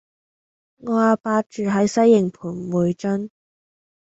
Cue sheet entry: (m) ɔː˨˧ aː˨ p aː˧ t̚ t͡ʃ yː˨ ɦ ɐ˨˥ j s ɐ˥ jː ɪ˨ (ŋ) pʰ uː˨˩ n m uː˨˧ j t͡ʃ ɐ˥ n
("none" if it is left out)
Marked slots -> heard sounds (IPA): ŋ, ŋ

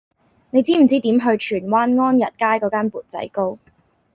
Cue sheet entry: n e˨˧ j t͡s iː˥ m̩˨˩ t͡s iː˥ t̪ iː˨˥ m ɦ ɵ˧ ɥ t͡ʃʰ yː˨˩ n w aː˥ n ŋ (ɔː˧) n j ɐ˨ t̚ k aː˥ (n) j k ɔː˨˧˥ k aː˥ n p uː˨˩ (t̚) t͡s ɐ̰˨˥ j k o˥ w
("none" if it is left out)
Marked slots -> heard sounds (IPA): ɔː˥, none, t̚

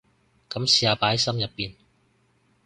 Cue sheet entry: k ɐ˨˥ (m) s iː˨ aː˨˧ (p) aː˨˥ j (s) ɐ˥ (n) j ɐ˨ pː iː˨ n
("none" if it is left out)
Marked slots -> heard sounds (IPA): m, p, s, m

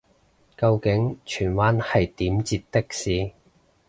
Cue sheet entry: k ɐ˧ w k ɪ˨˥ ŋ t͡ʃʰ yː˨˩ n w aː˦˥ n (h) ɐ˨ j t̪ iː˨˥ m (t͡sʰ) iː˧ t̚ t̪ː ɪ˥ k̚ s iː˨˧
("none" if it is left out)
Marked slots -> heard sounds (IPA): h, t͡s

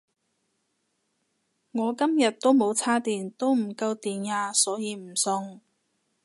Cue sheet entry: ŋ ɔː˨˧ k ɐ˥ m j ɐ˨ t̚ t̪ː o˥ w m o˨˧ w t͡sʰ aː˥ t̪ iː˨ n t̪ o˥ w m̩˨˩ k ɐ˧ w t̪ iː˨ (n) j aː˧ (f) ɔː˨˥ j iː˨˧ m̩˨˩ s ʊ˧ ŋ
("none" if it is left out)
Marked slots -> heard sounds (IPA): n, s

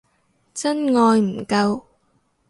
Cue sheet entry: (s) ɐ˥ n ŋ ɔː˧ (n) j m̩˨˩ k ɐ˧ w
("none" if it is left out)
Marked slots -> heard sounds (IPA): t͡s, none

